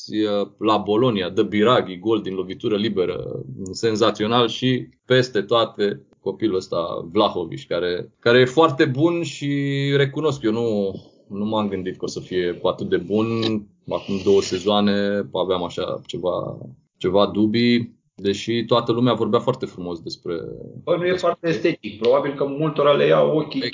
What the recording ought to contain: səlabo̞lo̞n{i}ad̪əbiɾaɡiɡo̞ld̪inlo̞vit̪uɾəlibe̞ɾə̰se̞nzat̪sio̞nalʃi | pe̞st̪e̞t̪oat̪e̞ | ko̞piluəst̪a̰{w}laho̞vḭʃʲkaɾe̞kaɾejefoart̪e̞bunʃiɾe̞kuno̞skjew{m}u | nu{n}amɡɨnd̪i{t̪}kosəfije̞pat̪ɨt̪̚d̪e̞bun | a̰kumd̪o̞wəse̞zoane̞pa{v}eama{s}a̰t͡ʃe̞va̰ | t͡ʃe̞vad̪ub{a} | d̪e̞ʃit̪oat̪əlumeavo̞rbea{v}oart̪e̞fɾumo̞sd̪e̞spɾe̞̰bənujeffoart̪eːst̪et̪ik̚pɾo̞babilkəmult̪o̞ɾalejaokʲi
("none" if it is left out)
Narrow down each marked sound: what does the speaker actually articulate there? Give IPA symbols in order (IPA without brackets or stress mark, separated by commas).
i, v, n, m, t̪, v, ʃ, i, f